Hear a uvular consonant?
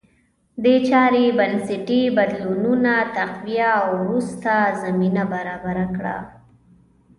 yes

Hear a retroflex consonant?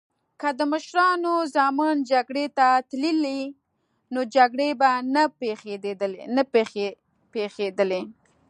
yes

